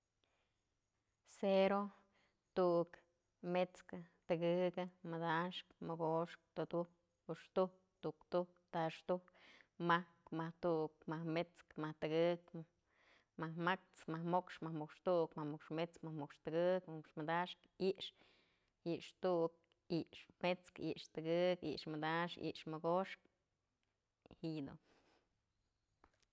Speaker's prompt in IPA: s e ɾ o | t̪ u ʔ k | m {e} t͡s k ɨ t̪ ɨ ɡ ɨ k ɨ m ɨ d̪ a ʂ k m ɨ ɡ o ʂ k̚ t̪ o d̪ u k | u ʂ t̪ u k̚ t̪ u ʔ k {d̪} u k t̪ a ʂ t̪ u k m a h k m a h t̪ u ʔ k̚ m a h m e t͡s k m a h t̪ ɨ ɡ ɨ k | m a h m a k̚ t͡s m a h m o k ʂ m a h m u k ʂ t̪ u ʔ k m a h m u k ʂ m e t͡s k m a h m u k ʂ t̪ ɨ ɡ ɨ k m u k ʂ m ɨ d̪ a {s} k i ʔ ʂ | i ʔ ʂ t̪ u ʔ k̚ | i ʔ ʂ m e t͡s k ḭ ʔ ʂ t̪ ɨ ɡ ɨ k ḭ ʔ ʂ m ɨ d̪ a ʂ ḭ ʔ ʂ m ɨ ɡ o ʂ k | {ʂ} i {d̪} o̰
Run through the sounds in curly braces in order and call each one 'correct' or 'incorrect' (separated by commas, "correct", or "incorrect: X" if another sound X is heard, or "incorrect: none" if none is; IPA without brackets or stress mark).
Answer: correct, incorrect: t̪, incorrect: ʂ, incorrect: h, correct